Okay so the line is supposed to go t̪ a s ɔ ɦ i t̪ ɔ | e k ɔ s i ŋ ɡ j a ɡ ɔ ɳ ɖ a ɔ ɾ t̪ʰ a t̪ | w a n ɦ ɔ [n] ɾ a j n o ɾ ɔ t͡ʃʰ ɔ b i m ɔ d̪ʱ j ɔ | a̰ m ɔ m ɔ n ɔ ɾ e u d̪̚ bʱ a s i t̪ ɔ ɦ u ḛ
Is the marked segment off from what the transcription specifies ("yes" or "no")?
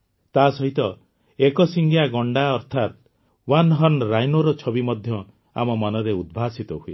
no